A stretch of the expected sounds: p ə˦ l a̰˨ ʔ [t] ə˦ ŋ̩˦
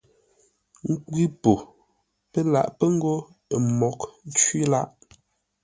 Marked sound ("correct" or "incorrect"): incorrect